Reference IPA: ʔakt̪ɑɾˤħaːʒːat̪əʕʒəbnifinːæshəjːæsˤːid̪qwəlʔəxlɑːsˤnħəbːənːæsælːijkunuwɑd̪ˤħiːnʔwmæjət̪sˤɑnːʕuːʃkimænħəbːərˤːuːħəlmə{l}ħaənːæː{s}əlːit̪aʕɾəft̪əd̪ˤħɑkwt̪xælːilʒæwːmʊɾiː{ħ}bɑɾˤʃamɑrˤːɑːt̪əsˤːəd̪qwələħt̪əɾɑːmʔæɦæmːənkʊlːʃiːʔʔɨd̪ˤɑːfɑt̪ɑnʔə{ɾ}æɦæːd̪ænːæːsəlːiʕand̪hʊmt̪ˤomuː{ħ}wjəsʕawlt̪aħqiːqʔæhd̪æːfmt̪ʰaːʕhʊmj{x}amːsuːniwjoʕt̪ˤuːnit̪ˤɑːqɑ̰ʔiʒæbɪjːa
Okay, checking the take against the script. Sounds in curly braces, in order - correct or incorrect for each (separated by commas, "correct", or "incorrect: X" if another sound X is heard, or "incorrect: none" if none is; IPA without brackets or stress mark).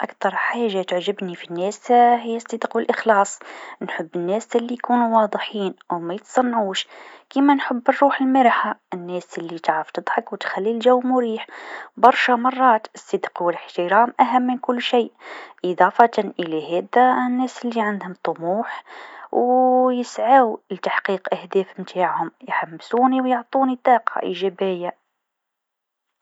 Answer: incorrect: ɾ, correct, correct, incorrect: l, correct, incorrect: ħ